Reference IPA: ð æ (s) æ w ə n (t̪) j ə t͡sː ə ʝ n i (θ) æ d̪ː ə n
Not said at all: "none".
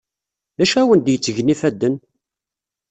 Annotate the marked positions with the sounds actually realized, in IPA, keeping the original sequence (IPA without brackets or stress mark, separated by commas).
ʃ, d̪, f